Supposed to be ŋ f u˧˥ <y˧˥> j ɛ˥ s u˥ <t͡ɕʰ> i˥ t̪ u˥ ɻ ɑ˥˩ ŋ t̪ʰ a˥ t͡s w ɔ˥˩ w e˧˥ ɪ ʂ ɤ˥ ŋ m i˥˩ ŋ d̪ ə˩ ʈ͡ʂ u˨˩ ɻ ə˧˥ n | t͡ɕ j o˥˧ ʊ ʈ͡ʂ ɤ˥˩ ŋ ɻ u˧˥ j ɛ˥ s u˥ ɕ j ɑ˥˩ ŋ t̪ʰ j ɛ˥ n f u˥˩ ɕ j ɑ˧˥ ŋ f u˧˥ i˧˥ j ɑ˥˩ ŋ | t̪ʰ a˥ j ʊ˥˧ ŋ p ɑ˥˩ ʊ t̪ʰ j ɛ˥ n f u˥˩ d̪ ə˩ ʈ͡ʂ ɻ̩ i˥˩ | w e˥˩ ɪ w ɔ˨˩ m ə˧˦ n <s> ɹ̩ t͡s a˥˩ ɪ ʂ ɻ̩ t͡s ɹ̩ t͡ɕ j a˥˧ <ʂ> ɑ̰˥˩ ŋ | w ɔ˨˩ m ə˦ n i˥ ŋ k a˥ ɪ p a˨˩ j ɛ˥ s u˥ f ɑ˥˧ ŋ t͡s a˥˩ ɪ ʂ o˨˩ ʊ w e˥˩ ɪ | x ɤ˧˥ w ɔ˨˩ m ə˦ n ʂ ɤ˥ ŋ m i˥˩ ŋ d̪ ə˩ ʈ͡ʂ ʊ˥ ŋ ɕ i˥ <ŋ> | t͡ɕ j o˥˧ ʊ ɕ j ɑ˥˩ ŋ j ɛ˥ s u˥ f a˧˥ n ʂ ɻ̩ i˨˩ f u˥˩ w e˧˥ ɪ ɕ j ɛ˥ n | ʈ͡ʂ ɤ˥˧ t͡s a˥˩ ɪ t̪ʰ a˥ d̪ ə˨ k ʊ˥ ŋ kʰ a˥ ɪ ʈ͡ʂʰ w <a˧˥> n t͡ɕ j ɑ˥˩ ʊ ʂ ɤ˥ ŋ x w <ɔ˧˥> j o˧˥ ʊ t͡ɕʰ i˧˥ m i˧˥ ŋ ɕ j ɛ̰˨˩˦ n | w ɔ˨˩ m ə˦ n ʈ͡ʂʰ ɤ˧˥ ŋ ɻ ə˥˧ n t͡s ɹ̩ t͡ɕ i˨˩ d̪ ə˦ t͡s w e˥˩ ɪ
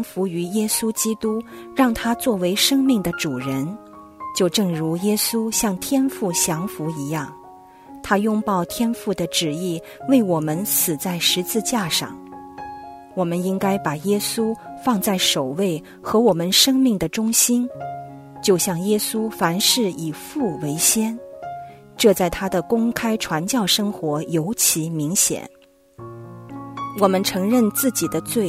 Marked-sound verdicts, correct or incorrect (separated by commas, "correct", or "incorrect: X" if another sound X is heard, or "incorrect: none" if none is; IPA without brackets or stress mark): correct, incorrect: t͡ɕ, correct, correct, incorrect: n, correct, correct